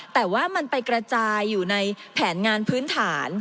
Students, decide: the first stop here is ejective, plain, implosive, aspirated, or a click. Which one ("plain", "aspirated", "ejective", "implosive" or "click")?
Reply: plain